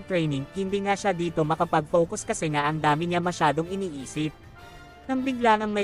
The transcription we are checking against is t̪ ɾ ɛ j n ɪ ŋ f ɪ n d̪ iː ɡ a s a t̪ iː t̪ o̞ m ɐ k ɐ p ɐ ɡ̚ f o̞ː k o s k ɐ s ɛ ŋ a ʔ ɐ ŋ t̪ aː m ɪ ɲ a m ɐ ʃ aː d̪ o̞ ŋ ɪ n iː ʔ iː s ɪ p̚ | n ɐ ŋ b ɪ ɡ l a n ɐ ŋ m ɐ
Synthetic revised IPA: t̪ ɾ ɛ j n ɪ ŋ h ɪ n d̪ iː ŋ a ʃ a d̪ iː t̪ o̞ m ɐ k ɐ p ɐ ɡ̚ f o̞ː k o s k ɐ s ɛ ŋ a ʔ ɐ ŋ d̪ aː m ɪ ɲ a m ɐ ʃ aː d̪ o̞ ŋ ɪ n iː ʔ iː s ɪ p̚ | n ɐ ŋ b ɪ ɡ l a n ɐ ŋ m ɐ